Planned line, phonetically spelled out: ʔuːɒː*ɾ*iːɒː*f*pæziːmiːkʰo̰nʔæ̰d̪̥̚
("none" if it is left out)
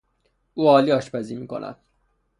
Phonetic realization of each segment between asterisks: l, ʃ

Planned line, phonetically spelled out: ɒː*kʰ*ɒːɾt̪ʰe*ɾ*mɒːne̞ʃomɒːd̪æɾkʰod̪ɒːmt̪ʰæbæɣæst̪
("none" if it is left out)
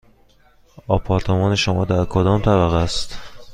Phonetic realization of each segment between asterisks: pʰ, none

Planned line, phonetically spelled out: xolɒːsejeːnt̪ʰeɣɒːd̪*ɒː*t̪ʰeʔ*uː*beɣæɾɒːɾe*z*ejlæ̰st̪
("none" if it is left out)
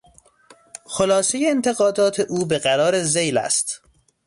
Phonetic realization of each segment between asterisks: ɒː, uː, z

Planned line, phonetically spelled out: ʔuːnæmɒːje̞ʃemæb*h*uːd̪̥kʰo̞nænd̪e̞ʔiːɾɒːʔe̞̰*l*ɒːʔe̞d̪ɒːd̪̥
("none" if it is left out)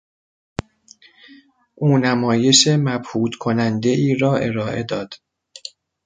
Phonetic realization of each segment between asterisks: h, ɾ

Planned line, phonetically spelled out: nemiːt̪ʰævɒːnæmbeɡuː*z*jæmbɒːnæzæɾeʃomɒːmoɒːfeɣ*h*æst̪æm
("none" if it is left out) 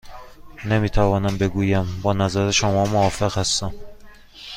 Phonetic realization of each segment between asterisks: none, h

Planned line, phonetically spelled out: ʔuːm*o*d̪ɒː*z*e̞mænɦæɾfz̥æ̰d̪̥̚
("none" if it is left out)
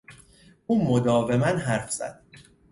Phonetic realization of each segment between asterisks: o, v

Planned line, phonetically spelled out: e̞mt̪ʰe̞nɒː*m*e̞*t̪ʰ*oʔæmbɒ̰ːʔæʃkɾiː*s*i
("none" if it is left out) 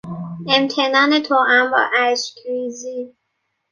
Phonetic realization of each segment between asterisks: n, t̪ʰ, z

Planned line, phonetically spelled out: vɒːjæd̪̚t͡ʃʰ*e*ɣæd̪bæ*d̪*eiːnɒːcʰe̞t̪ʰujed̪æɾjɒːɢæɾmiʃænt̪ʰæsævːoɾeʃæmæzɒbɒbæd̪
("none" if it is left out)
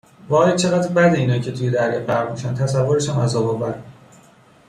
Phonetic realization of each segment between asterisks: e, d̪

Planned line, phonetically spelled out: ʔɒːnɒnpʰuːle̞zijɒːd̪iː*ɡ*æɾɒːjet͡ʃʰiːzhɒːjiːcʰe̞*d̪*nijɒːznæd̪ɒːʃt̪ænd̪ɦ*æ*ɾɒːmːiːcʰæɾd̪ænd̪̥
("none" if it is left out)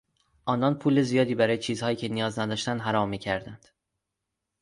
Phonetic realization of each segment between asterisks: b, none, æ

